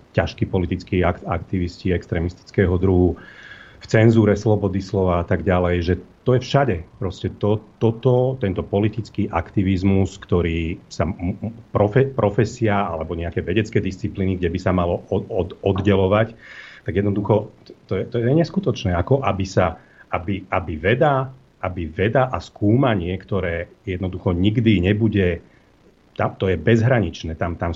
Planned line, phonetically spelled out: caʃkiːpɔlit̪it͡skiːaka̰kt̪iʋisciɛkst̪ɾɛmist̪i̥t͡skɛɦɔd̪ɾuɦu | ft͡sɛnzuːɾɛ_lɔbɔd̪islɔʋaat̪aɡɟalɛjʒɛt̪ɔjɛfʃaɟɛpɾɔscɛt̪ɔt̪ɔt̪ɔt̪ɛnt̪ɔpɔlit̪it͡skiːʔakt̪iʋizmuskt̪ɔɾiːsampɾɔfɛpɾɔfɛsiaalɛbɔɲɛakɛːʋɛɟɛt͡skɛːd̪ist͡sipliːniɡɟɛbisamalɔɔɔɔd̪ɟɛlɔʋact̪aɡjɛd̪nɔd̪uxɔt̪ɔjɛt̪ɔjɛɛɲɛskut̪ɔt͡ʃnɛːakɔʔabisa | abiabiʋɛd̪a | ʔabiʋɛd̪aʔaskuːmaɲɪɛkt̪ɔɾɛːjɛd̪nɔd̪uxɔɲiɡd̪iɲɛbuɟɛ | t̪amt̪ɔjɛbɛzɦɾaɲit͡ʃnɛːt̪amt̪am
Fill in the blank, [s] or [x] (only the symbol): s